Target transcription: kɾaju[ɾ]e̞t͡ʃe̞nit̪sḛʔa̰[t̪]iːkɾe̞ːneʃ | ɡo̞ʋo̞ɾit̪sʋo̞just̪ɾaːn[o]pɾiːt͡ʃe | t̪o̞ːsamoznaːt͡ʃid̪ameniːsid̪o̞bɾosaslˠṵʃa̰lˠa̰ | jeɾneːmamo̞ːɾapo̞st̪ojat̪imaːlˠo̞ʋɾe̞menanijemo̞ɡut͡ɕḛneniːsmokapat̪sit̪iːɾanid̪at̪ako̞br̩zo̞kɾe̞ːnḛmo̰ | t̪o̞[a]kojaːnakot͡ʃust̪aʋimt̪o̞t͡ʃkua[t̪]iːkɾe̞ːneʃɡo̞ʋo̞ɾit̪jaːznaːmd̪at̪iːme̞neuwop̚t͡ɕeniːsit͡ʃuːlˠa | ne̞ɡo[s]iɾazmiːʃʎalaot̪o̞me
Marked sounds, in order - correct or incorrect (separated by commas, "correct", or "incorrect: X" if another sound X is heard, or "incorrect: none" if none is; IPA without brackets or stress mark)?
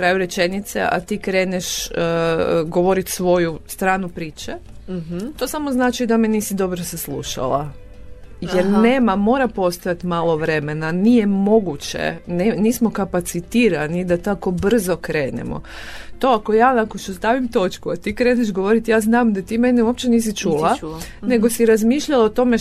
correct, correct, incorrect: u, correct, correct, correct